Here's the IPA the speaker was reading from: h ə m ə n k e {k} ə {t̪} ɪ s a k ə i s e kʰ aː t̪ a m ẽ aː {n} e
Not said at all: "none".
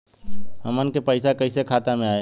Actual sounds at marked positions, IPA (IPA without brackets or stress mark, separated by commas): p, none, none